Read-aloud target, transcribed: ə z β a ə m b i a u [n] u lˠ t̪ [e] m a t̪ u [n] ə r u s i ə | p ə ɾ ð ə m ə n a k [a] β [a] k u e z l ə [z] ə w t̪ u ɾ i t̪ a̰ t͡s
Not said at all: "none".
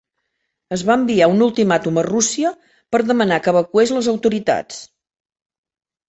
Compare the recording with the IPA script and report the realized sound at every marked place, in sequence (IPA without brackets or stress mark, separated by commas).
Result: n, i, m, ə, ə, z